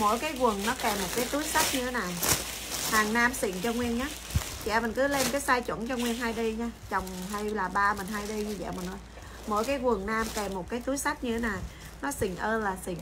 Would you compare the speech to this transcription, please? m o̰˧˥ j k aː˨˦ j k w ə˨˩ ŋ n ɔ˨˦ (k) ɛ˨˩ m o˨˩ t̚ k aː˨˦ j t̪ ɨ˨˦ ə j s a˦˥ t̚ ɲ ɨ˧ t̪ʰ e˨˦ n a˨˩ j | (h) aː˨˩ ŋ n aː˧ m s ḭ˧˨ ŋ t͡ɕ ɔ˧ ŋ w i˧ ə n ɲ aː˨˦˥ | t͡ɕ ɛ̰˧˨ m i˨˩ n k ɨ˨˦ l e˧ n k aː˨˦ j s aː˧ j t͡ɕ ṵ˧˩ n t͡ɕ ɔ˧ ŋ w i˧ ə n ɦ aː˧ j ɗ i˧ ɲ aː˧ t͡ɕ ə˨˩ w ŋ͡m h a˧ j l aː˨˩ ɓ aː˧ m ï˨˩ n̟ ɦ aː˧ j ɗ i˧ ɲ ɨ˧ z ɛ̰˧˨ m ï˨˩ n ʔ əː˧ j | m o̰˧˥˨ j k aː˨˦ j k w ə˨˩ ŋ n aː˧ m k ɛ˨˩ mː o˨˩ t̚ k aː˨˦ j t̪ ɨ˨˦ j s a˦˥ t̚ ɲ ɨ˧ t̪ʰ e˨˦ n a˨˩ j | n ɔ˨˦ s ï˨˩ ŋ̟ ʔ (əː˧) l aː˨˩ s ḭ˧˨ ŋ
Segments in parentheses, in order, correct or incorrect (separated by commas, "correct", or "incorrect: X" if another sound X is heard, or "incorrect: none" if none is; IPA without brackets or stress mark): correct, correct, correct